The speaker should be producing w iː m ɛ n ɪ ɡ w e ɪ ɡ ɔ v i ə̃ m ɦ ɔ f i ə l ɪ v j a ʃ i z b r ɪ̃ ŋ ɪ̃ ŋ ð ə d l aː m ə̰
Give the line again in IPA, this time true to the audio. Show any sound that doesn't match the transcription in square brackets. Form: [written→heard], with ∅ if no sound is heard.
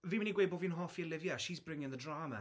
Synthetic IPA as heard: [w→v] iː m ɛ n [ɪ→i] ɡ w e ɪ [ɡ→b] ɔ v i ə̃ [m→n] ɦ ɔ f i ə l ɪ v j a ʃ i z b [r→ɹ] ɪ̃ ŋ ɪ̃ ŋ ð ə d [l→ɹ] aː m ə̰

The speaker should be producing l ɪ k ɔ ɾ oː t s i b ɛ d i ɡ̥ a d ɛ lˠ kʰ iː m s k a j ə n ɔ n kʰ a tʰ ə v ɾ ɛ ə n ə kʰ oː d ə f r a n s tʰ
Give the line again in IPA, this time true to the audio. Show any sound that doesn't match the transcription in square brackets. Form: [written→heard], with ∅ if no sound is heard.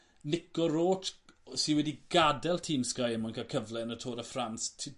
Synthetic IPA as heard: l ɪ k ɔ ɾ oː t s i [b→w] ɛ d i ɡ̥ a d ɛ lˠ [kʰ→tʰ] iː m s k a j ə [n→m] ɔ n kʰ a [tʰ→kʰ] ə v [ɾ→l] ɛ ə n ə [kʰ→tʰ] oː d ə f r a n s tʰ

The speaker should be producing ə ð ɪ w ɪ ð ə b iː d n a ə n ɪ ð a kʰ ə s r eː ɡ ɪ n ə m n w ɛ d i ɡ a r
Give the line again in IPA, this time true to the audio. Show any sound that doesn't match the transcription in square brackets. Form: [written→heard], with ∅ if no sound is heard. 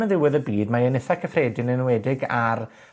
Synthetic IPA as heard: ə ð ɪ w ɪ ð ə b iː d [n→m] a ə n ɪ [ð→θ] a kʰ ə [s→f] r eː [ɡ→d] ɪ n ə [m→∅] n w ɛ d [i→ɪ] ɡ a r

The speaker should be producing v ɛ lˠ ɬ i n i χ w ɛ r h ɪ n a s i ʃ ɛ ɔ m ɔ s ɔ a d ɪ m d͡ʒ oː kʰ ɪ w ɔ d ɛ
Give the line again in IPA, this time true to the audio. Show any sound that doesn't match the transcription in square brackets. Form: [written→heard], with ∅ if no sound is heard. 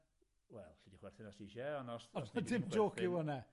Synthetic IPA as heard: [v→w] ɛ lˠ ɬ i [n→d] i χ w ɛ r [h→θ] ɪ n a s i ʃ ɛ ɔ [m→n] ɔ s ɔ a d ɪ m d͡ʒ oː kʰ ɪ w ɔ [d→n] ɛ

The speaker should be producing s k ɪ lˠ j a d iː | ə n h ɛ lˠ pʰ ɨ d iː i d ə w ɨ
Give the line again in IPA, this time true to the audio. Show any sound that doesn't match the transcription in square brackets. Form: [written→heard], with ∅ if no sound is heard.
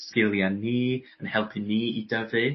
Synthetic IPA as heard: s k ɪ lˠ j a [d→n] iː | ə n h ɛ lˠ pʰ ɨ [d→n] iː i d ə [w→v] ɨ

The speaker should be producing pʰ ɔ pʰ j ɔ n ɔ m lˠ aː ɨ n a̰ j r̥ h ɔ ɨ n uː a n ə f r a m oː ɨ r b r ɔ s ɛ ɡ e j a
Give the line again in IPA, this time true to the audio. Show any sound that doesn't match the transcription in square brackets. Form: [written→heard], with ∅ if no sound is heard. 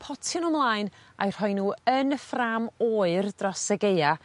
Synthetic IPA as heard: pʰ ɔ [pʰ→tʰ] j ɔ n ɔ m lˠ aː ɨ n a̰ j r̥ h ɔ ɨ n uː [a→ə] n ə f r a m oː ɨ r [b→d] r ɔ s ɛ ɡ e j a

